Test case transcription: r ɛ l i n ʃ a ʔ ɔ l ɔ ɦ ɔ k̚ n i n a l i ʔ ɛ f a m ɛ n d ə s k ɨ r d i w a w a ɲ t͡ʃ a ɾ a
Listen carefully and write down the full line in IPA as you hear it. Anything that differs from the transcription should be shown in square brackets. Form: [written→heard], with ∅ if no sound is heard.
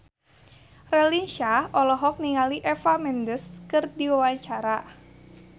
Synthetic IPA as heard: r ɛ l i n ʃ a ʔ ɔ l ɔ ɦ ɔ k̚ n i [n→ŋ] a l i ʔ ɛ f a m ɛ n d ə s k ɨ r d i w a w a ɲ t͡ʃ a ɾ a